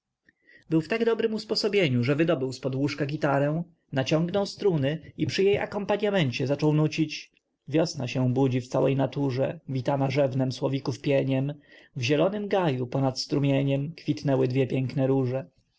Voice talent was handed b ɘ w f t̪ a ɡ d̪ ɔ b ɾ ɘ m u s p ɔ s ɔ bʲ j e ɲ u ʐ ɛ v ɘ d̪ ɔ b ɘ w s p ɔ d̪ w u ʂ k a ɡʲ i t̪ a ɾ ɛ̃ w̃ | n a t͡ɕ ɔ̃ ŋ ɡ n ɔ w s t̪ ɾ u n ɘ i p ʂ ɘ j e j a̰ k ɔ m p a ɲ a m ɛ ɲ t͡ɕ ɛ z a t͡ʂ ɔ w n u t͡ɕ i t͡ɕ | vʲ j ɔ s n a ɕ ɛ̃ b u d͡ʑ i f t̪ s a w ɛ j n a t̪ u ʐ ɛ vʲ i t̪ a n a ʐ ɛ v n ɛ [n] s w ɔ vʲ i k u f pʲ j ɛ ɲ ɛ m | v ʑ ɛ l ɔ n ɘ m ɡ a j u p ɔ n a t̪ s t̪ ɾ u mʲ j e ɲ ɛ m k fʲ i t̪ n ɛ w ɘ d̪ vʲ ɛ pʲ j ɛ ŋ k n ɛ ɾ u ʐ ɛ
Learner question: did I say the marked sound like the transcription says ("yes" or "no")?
no